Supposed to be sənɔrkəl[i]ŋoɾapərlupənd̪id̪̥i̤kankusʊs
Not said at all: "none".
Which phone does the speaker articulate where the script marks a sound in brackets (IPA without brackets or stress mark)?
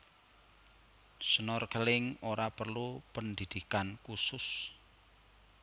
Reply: ɪ